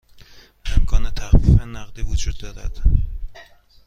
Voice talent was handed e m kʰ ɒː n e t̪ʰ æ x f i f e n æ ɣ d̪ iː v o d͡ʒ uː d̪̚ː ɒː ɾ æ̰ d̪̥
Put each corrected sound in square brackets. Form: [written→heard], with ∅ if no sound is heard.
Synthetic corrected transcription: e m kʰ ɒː n e t̪ʰ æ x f i f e n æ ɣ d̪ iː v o d͡ʒ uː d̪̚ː ɒː ɾ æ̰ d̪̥